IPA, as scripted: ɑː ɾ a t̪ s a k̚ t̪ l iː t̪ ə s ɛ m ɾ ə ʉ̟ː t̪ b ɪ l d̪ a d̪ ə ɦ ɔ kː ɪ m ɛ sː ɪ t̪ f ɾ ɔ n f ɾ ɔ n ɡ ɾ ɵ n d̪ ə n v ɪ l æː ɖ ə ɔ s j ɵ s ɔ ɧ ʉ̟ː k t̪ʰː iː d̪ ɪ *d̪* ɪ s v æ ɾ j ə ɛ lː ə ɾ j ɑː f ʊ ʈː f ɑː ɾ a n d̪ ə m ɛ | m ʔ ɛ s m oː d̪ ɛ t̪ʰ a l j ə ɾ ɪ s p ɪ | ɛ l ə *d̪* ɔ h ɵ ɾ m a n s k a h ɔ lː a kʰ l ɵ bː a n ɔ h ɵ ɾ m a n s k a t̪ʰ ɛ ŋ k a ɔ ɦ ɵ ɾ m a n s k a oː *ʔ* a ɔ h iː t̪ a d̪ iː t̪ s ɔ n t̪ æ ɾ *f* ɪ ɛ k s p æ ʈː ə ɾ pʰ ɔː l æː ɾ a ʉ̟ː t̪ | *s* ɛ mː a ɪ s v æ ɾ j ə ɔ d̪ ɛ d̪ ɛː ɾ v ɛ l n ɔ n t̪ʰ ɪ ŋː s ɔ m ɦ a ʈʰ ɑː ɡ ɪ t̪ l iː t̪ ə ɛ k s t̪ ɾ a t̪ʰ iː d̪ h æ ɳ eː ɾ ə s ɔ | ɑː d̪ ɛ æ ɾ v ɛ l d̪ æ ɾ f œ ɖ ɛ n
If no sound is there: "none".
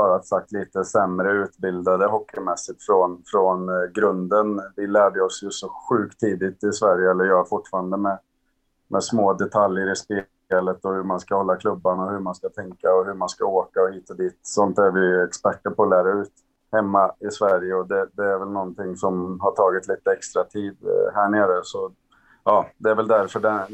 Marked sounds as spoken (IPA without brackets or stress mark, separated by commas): t̪, t̪, k, v, h